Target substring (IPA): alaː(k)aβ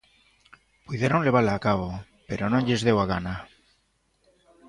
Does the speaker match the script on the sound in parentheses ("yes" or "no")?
yes